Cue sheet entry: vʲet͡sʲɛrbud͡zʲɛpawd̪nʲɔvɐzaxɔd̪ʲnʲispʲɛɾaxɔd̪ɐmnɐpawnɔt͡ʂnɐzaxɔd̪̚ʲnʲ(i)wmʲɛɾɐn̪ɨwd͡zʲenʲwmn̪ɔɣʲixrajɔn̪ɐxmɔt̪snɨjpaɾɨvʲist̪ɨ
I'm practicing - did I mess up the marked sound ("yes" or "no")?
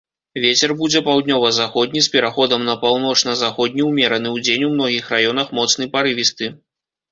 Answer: no